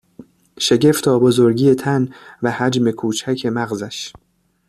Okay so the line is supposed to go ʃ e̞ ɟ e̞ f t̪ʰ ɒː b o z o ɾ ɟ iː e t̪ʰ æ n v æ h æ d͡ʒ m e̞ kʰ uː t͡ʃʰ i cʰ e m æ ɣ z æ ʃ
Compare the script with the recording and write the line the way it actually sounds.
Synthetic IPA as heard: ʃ e̞ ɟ e̞ f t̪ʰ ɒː b o z o ɾ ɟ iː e t̪ʰ æ n v æ h æ d͡ʒ m e̞ kʰ uː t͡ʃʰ æ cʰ e m æ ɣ z æ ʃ